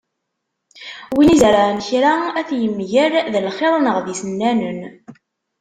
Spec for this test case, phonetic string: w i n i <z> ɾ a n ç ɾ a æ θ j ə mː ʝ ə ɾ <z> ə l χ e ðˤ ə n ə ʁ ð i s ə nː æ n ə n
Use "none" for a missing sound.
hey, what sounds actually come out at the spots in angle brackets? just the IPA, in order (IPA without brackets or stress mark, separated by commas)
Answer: z, ð